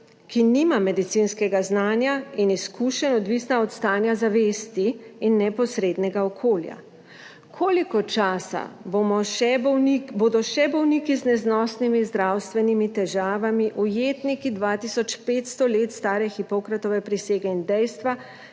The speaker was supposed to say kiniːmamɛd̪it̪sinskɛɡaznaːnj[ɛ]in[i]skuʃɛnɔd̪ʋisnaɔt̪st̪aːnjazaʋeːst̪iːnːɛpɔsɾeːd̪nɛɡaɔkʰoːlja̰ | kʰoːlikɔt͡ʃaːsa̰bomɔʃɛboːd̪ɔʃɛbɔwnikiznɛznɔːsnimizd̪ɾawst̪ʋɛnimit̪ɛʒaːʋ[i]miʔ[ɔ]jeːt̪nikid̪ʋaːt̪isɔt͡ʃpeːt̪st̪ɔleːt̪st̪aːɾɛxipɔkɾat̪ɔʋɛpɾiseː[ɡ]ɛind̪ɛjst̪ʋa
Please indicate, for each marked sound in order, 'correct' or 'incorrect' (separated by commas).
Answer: incorrect, correct, incorrect, incorrect, correct